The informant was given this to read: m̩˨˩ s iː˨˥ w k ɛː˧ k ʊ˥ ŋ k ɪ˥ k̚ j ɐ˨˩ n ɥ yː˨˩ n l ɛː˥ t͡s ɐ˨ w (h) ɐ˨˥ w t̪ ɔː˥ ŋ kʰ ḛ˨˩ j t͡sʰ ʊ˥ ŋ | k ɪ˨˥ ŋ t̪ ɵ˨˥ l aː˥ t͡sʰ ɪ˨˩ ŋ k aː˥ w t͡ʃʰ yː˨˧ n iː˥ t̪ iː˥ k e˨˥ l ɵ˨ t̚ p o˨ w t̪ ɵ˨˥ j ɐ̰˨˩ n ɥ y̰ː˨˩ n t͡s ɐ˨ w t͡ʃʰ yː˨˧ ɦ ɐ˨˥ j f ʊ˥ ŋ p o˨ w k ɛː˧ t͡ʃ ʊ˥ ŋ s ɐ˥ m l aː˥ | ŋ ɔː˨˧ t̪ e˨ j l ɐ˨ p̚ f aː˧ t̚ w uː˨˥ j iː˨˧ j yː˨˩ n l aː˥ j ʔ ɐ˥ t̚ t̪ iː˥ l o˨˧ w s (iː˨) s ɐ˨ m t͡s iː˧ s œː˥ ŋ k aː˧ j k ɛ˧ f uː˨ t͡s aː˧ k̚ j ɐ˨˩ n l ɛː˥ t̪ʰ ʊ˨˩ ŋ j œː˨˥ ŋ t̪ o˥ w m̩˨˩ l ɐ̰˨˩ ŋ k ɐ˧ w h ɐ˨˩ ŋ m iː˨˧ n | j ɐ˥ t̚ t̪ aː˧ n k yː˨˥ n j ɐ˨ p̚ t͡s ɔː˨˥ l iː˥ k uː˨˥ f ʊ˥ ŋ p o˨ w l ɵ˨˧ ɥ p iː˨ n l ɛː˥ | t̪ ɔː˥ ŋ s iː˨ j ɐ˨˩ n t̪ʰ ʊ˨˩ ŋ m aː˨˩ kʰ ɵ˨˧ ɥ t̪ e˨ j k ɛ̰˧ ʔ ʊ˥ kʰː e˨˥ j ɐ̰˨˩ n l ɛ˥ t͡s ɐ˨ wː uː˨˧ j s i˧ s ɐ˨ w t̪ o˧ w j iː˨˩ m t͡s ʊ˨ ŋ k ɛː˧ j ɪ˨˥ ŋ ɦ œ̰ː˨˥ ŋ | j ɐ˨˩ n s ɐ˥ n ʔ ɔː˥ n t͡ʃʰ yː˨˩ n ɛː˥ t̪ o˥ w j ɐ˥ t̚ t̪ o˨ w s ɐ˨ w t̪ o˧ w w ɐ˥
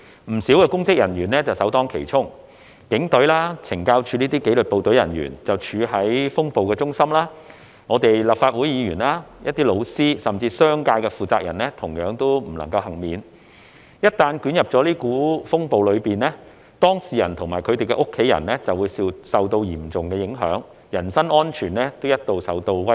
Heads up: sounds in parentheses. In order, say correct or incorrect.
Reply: incorrect: s, incorrect: iː˥

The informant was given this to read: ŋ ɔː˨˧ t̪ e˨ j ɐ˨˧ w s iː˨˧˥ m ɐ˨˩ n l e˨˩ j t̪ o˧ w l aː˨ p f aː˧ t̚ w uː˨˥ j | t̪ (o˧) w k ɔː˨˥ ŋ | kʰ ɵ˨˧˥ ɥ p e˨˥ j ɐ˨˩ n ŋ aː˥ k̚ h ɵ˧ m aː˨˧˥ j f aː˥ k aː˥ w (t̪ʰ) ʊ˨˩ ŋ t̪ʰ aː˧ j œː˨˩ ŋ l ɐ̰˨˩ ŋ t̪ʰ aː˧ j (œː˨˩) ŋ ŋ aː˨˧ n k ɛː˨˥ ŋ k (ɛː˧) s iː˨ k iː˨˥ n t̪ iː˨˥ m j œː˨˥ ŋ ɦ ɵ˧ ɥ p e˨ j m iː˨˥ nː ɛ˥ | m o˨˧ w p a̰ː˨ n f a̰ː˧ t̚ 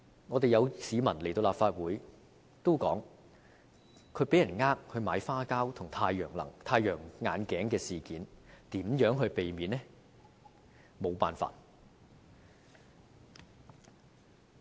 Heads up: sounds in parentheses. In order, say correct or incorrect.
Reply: incorrect: o˥, correct, correct, correct

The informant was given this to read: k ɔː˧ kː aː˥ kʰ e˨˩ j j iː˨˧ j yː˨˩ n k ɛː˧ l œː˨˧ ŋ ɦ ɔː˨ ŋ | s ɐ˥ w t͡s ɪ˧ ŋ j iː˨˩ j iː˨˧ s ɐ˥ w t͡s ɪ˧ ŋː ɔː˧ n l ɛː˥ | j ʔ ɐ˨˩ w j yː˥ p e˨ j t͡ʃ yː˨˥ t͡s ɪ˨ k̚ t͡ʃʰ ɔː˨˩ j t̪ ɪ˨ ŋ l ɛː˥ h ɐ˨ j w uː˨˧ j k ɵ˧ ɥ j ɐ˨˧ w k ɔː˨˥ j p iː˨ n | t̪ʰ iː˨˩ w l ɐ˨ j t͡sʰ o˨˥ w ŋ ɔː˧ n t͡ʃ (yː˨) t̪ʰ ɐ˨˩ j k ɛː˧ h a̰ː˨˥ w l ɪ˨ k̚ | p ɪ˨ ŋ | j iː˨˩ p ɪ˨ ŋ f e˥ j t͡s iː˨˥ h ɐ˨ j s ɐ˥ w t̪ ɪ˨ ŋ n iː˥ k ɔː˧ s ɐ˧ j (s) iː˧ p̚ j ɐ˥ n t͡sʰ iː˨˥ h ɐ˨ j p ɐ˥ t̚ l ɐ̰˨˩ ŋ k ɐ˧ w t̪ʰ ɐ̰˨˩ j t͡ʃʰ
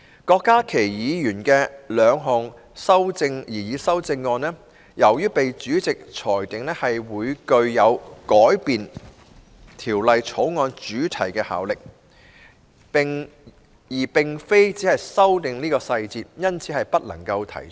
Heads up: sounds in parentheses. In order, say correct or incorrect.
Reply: incorrect: yː˨˥, incorrect: t͡s

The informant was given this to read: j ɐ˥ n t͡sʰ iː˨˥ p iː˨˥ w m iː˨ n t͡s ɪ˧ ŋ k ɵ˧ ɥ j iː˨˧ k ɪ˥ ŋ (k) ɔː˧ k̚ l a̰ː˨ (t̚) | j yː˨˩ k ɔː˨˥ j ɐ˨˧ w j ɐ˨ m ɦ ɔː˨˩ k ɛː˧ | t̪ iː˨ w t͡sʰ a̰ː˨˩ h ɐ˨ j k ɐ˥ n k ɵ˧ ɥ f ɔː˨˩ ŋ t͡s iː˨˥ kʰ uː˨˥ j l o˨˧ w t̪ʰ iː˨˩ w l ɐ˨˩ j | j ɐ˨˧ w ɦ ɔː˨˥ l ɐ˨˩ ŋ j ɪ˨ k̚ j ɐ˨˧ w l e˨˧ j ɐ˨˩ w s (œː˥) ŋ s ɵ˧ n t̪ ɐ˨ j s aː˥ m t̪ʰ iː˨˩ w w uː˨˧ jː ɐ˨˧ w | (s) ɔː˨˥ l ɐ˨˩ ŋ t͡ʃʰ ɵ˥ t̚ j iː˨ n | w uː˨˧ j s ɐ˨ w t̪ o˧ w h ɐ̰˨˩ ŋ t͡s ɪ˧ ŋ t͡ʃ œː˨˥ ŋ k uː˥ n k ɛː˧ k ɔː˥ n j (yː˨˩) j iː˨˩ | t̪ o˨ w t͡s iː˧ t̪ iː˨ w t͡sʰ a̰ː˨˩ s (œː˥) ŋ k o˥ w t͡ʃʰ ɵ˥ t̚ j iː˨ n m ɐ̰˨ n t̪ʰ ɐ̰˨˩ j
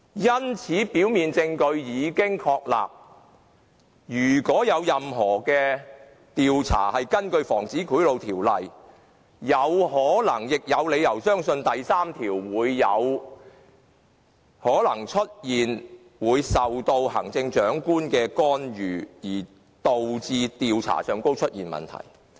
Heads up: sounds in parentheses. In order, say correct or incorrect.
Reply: incorrect: kʰ, incorrect: p̚, correct, incorrect: h, correct, incorrect: œː˨˧

